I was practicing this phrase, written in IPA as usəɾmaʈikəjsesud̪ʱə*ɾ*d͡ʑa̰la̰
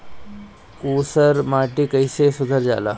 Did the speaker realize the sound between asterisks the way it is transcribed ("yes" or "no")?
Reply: yes